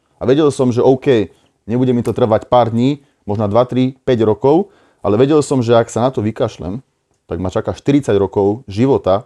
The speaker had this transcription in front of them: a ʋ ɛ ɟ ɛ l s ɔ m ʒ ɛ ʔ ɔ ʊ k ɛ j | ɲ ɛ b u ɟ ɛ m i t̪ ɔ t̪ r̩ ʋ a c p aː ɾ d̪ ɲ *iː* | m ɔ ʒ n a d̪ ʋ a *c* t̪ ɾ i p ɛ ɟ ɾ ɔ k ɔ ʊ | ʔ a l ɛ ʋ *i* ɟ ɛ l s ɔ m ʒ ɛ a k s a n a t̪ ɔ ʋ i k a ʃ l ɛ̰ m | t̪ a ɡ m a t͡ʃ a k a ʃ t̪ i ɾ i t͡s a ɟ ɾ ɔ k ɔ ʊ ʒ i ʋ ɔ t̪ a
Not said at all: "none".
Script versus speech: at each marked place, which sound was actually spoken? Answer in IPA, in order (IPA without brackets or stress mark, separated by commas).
iː, none, ɛ